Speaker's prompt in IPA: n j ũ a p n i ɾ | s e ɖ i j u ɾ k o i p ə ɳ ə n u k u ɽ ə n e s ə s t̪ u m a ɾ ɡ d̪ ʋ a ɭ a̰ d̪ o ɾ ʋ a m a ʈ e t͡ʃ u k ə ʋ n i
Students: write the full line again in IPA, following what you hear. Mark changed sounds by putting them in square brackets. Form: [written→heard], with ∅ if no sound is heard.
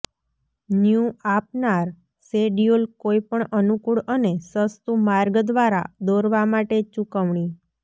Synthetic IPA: n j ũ a p n [i→a] ɾ | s e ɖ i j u [ɾ→l] k o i p ə ɳ ə n u k u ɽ ə n e s ə s t̪ u m a ɾ ɡ d̪ ʋ a [ɭ→ɾ] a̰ d̪ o ɾ ʋ a m a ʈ e t͡ʃ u k ə ʋ [n→ɳ] i

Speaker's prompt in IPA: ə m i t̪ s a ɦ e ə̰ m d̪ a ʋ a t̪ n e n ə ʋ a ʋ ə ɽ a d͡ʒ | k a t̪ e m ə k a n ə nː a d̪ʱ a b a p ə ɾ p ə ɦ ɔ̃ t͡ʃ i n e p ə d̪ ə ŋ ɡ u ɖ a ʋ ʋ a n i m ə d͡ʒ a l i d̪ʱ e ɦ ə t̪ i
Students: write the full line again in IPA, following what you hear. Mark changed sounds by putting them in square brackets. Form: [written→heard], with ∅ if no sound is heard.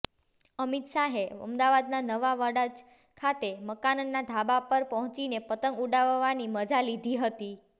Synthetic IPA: ə m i t̪ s a ɦ e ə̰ m d̪ a ʋ a [t̪→d̪] n [e→a] n ə ʋ a ʋ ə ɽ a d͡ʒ | [k→kʰ] a t̪ e m ə k a n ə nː a d̪ʱ a b a p ə ɾ p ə ɦ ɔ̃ t͡ʃ i n e p ə [d̪→t̪] ə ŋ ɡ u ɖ a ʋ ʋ a n i m ə d͡ʒ a l i d̪ʱ [e→i] ɦ ə t̪ i

